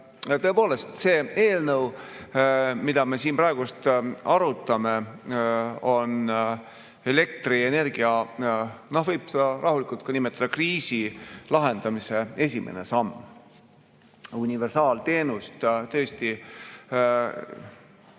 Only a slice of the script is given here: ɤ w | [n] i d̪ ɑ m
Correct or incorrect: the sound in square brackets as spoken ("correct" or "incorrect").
incorrect